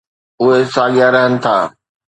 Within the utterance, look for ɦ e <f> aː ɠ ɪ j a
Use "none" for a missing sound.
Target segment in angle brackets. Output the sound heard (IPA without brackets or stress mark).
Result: s